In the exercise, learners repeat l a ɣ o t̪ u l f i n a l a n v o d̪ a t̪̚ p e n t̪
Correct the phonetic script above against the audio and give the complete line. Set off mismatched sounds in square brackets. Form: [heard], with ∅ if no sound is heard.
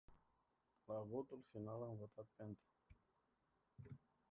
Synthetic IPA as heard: l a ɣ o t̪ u l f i n a l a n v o [t̪] a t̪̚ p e n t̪